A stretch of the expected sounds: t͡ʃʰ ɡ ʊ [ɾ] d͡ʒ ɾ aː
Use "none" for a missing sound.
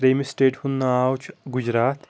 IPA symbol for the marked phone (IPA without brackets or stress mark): none